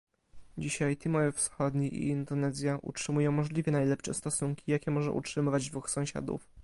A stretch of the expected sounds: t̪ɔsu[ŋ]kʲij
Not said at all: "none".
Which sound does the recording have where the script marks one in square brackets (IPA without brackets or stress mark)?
ŋ